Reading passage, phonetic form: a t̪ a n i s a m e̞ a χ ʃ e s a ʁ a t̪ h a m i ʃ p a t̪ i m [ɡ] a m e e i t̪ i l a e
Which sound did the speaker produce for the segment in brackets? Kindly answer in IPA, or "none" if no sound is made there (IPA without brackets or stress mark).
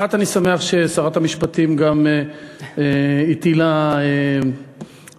ɡ